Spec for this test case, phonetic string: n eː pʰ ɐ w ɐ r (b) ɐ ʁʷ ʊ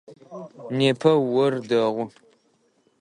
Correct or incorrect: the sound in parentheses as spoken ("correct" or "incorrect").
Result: incorrect